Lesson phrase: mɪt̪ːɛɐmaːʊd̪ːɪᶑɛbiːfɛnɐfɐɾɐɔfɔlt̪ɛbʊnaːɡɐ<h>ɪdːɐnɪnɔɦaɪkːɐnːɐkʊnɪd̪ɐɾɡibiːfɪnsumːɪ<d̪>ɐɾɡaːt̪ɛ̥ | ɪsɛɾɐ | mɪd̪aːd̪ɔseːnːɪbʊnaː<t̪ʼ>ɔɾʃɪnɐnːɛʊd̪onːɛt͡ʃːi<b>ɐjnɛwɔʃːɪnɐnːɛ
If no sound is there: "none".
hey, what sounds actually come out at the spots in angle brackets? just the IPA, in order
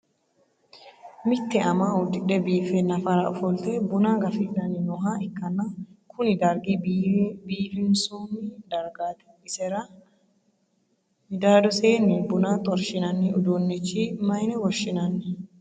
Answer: f, d̪, t̪ʼ, m

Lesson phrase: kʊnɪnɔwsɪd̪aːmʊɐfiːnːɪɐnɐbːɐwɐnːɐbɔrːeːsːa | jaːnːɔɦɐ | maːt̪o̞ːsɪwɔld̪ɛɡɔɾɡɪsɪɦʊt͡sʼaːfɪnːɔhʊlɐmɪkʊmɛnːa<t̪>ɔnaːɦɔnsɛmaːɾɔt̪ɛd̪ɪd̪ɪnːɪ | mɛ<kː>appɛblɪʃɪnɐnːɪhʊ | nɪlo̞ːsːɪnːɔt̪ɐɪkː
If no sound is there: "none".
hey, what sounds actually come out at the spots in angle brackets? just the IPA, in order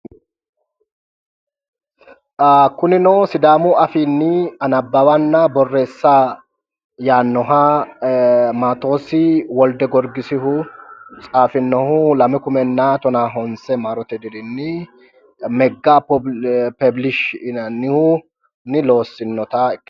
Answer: t̪, ɡː

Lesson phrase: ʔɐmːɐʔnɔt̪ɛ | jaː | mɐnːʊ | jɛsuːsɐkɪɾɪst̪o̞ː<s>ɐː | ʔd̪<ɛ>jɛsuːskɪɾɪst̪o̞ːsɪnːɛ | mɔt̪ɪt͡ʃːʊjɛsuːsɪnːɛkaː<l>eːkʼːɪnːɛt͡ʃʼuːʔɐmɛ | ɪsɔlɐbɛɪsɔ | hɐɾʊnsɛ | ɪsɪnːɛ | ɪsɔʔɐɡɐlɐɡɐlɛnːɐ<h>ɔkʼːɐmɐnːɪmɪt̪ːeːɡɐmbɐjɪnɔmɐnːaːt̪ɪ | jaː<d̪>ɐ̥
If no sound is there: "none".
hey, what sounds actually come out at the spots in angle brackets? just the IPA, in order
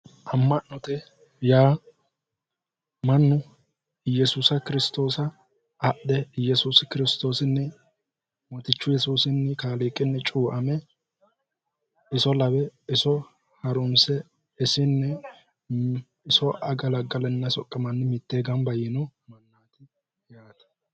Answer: s, ɛ, l, s, t̪

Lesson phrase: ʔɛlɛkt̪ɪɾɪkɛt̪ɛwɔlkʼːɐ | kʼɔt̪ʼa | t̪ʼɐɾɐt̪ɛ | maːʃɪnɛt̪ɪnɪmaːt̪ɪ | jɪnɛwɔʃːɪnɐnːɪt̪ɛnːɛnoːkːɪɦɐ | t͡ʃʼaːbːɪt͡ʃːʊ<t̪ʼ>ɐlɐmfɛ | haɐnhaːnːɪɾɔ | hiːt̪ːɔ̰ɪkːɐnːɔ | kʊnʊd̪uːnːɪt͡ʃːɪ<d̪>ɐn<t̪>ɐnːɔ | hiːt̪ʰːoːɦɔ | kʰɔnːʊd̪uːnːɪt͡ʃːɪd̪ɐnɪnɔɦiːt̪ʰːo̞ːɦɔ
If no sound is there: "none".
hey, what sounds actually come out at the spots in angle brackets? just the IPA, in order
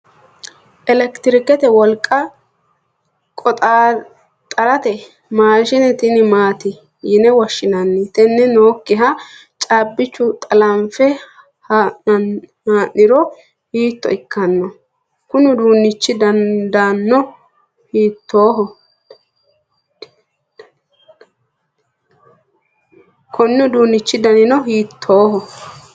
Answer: t̪ʼ, d̪, d̪

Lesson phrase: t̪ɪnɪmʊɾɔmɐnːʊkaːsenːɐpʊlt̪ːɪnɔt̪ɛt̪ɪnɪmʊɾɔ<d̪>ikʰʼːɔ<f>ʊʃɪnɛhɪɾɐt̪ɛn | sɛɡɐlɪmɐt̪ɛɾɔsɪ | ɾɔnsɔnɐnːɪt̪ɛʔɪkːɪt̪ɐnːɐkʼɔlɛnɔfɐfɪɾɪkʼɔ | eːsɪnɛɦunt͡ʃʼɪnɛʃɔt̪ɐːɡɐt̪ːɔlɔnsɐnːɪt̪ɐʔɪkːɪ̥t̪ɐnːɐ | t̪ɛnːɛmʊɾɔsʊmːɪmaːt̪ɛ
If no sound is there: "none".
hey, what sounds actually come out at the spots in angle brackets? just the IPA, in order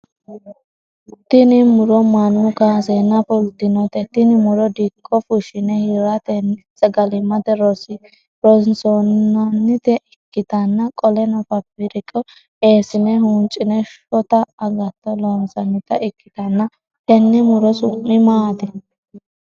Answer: d̪, f

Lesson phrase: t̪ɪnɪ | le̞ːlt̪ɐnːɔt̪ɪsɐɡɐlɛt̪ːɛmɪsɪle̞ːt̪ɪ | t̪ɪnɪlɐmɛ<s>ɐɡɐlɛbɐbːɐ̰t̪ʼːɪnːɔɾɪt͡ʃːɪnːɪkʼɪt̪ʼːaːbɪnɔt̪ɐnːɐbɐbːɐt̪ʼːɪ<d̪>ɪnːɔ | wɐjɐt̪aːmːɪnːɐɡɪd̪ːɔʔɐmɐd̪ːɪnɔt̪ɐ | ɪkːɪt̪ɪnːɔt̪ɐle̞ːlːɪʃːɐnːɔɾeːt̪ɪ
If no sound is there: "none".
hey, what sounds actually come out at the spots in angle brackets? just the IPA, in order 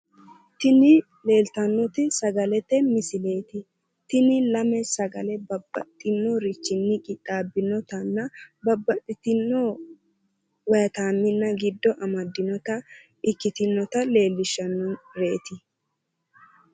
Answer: s, t̪

